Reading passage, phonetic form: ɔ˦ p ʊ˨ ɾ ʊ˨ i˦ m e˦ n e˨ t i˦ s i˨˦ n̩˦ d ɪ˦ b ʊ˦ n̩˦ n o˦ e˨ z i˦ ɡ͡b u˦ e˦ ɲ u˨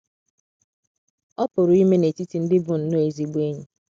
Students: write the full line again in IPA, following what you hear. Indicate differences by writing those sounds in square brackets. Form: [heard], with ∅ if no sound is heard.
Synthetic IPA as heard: ɔ˦ p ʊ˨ ɾ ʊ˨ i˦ m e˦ n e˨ t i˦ [t] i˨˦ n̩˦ d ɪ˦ b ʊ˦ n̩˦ n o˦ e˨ z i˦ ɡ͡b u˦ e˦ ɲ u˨